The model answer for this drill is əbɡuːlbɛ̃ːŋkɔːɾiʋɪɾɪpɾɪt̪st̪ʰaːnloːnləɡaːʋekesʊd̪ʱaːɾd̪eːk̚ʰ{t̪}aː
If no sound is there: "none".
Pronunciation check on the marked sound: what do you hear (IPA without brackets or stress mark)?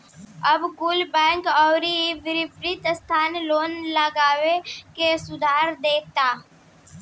t̪